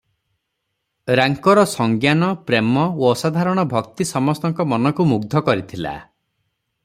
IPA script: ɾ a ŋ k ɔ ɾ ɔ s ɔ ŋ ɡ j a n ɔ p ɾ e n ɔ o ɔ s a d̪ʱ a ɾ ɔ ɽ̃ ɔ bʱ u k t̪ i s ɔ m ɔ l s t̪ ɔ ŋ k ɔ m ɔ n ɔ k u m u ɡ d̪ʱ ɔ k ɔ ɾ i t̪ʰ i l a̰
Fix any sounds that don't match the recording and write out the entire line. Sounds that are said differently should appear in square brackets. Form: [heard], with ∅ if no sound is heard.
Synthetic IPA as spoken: ɾ a ŋ k ɔ ɾ ɔ s ɔ ŋ ɡ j a n ɔ p ɾ e [m] ɔ o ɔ s a d̪ʱ a ɾ ɔ ɽ̃ ɔ bʱ [ɔ] k t̪ i s ɔ m ɔ [∅] s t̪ ɔ ŋ k ɔ m ɔ n ɔ k u m u ɡ d̪ʱ ɔ k ɔ ɾ i t̪ʰ i l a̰